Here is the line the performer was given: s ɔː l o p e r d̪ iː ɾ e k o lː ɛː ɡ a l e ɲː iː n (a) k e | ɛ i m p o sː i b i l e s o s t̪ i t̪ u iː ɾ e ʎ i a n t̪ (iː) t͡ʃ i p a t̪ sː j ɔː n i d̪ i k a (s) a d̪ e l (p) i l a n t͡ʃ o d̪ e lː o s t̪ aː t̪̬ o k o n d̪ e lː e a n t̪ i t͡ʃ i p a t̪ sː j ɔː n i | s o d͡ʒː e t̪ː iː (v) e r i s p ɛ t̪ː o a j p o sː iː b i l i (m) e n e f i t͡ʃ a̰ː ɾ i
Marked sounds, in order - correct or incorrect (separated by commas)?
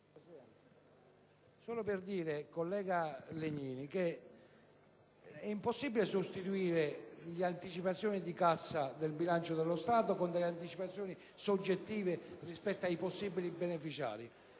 incorrect, incorrect, incorrect, incorrect, correct, incorrect